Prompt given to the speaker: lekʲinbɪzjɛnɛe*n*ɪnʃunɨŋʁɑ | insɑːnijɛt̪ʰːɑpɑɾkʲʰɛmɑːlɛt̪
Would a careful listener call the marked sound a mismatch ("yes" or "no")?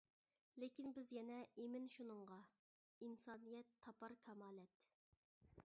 yes